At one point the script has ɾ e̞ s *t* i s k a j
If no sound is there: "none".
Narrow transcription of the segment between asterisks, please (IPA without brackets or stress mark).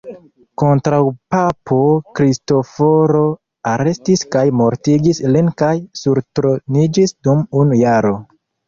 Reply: t